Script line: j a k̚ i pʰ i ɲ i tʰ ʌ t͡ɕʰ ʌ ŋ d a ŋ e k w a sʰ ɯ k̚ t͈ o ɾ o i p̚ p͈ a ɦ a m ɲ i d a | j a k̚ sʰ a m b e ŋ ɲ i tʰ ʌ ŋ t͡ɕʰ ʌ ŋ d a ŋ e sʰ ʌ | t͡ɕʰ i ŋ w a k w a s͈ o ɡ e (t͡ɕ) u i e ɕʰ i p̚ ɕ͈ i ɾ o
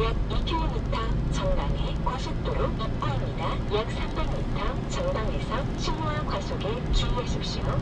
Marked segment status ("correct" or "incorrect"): correct